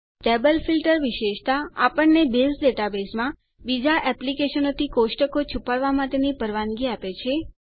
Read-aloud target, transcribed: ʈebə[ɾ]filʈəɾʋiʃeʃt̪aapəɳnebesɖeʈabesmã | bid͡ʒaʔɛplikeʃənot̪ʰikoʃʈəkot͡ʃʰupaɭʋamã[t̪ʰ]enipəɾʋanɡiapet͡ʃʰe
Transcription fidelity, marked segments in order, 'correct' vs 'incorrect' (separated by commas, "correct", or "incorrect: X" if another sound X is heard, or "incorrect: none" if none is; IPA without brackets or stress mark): incorrect: l, incorrect: t̪